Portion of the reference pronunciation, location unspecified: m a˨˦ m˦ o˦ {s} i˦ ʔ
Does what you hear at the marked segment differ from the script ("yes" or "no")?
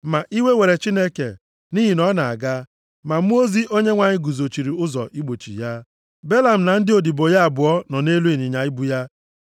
yes